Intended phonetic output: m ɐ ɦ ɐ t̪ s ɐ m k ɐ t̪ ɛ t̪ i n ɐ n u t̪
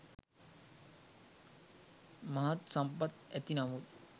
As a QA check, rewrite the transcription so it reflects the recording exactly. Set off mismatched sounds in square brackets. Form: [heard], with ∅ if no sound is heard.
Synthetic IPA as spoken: m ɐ ɦ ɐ t̪ s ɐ m [p] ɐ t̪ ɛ t̪ i n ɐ [m] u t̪